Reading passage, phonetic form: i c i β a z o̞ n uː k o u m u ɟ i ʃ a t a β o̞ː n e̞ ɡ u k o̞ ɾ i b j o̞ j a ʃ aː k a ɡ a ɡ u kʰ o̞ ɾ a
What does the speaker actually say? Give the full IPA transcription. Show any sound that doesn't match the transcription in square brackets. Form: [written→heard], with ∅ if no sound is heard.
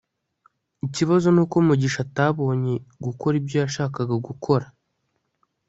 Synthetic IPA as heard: i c i β a z o̞ n uː k o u m u ɟ i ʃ a t a β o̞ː [n→ɲ] e̞ ɡ u k o̞ ɾ i b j o̞ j a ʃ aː k a ɡ a ɡ u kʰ o̞ ɾ a